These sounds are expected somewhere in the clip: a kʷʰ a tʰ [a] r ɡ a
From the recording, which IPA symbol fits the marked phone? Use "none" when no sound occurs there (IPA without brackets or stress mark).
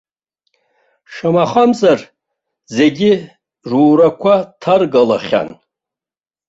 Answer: a